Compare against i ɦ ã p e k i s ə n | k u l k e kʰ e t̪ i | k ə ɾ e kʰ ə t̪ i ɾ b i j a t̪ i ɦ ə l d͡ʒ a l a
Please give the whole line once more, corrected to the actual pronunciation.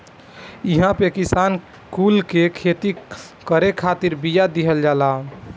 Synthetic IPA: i ɦ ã p e k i s a n | k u l k e kʰ e t̪ i | k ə ɾ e kʰ a t̪ i ɾ b i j a d̪ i ɦ ə l d͡ʒ a l a